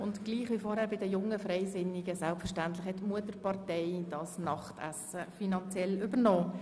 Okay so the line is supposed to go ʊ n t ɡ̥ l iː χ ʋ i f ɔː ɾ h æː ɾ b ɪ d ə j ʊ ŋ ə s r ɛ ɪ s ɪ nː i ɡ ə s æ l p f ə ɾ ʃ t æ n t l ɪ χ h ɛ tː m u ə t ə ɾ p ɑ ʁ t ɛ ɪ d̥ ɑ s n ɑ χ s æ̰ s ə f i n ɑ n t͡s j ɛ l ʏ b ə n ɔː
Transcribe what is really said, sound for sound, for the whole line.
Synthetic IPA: ʊ n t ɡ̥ l iː χ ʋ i f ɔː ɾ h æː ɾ b ɪ d ə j ʊ ŋ ə f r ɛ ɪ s ɪ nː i ɡ ə s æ l p f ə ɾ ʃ t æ n t l ɪ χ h ɛ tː m u ə t ə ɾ p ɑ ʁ t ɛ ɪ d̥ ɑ s n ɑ χ t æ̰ s ə f i n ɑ n t͡s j ɛ l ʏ b ə n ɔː